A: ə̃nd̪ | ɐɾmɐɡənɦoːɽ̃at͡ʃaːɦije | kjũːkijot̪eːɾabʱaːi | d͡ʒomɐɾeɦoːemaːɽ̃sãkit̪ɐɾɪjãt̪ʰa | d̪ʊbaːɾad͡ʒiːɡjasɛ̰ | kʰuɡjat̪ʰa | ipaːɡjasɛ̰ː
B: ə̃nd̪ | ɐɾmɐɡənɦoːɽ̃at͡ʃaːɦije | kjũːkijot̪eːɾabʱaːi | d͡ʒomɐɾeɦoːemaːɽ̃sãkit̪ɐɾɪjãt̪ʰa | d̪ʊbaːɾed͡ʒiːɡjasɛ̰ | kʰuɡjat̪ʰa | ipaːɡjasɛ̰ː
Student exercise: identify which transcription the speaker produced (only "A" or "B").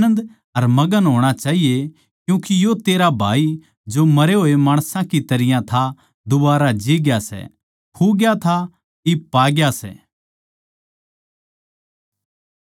A